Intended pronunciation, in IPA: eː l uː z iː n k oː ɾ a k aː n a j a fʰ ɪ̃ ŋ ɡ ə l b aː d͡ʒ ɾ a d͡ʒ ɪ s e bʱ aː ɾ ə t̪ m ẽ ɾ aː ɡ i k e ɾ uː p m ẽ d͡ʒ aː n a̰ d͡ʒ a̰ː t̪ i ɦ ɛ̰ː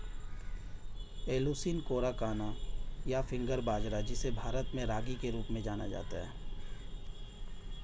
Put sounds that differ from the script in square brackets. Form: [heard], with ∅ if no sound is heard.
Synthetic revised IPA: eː l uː [s] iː n k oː ɾ a k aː n a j a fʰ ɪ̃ ŋ ɡ ə [ɾ] b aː d͡ʒ ɾ a d͡ʒ ɪ s e bʱ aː ɾ ə t̪ m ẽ ɾ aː ɡ i k e ɾ uː p m ẽ d͡ʒ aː n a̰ d͡ʒ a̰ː t̪ [a] ɦ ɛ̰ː